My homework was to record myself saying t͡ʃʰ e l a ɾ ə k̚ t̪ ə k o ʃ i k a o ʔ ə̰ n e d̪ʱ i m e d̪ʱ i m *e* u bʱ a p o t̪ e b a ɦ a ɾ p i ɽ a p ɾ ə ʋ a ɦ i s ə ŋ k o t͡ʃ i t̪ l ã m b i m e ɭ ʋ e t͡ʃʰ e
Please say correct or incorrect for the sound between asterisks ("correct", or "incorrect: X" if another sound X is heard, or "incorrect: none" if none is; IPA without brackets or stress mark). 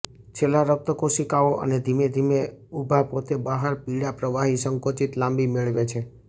correct